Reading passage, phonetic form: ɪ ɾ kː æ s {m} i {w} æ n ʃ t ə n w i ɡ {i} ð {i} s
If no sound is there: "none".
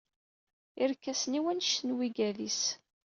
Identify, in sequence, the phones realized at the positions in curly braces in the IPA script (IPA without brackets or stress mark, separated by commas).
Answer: n, w, æ, i